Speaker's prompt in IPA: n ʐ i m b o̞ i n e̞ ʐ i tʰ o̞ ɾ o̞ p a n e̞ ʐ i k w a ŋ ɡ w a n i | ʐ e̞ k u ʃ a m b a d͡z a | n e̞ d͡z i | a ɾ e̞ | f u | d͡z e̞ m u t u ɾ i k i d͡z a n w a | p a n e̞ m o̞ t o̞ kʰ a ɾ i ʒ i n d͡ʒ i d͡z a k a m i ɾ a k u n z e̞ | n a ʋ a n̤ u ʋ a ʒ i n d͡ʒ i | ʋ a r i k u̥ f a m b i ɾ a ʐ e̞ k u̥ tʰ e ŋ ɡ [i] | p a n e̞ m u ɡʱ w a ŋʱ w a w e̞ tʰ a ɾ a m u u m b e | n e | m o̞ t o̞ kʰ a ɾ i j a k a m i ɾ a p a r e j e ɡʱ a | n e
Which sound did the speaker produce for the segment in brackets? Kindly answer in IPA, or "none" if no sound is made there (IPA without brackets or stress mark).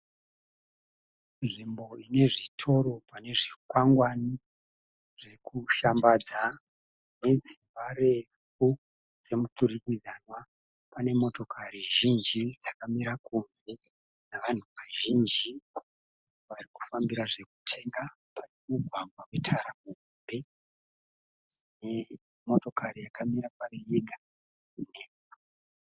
a